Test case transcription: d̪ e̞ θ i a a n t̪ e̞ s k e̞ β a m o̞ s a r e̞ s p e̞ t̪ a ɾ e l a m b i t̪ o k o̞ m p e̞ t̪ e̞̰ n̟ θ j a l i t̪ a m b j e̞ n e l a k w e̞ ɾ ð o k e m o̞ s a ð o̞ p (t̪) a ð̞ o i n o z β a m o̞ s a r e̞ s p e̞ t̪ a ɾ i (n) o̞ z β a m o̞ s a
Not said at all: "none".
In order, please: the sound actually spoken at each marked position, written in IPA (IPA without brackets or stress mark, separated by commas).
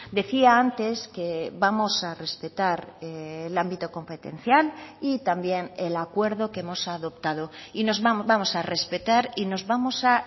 t̪, n